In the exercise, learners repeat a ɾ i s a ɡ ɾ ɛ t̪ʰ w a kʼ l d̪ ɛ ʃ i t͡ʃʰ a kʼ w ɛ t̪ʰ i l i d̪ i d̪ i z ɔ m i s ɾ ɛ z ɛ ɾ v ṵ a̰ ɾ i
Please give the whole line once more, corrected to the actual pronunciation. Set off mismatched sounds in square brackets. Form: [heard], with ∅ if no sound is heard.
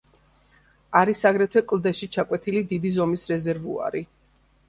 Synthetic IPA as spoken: a ɾ i s a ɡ ɾ ɛ t̪ʰ w [ɛ] kʼ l d̪ ɛ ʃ i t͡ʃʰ a kʼ w ɛ t̪ʰ i l i d̪ i d̪ i z ɔ m i s ɾ ɛ z ɛ ɾ v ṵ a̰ ɾ i